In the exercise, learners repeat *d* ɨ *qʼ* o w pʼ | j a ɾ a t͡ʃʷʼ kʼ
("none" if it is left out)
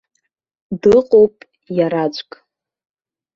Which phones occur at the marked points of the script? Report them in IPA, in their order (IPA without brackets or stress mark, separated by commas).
d, qʼ